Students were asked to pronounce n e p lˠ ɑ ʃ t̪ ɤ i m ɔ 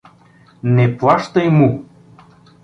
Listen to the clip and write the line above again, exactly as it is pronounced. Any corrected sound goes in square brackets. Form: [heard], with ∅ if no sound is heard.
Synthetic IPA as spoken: n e p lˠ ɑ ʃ t̪ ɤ [j] m [u]